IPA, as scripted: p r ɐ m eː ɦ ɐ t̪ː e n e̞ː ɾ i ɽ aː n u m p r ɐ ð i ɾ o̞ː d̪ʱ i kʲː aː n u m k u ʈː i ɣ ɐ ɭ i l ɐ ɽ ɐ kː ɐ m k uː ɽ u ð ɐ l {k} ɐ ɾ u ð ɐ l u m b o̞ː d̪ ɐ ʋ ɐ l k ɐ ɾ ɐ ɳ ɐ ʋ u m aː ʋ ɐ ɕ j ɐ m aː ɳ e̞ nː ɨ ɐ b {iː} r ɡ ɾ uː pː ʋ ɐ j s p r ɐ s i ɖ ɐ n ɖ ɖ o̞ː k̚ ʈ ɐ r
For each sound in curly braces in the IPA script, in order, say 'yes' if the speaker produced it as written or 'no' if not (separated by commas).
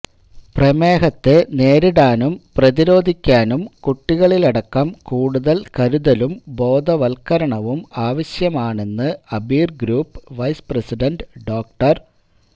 yes, yes